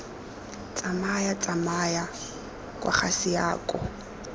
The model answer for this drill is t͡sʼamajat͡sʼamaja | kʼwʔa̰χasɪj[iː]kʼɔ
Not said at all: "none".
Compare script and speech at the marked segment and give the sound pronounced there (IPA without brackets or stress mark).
aː